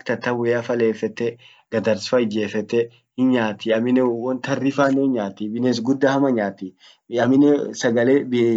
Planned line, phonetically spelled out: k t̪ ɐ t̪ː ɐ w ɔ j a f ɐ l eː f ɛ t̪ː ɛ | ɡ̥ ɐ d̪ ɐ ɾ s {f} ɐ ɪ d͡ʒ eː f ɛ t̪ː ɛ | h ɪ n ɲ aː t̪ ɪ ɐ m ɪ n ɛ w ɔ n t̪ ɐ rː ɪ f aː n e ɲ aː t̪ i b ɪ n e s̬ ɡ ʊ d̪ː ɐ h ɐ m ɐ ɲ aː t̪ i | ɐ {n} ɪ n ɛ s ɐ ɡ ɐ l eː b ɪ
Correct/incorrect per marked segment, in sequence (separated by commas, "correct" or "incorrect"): correct, incorrect